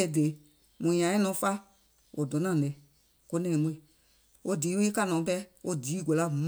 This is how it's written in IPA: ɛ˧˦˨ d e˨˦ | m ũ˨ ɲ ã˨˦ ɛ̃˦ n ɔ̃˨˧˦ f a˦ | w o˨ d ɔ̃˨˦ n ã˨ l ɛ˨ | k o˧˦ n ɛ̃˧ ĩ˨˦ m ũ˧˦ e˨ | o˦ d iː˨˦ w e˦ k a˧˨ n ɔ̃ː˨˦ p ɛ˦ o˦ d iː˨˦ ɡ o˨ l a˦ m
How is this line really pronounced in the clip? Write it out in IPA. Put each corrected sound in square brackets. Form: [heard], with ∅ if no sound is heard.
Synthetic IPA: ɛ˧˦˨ d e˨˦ | m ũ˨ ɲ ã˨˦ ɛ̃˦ n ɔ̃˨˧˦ f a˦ | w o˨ d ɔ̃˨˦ n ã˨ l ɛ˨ | k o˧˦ n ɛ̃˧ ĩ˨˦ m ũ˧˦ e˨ | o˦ d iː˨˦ w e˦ k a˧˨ n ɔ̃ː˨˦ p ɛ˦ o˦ d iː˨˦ ɡ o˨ l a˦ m